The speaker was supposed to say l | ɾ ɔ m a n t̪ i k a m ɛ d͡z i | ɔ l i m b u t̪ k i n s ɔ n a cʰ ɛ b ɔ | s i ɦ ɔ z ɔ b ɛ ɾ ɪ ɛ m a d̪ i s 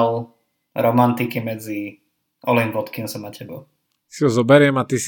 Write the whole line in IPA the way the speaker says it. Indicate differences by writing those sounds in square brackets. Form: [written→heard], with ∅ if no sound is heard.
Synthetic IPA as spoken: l | ɾ ɔ m a n t̪ i k [a→i] m ɛ d͡z i | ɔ l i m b [u→ɔ] t̪ k i n s ɔ [n→m] a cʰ ɛ b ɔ | s i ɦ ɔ z ɔ b ɛ ɾ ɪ ɛ m a [d̪→t̪] i s